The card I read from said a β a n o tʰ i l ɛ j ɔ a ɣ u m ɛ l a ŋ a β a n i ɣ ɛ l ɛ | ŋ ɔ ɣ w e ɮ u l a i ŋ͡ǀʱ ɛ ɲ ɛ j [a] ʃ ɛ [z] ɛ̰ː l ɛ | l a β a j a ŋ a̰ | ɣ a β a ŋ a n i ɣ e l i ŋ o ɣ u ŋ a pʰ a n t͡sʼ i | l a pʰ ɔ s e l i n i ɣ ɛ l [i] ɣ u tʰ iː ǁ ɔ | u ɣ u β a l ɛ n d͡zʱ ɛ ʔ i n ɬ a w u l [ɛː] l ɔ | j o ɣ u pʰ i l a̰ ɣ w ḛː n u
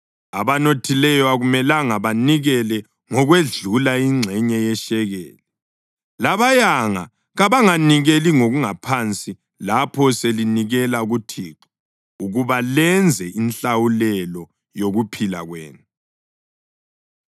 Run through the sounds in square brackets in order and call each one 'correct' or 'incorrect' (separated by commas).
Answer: incorrect, incorrect, incorrect, incorrect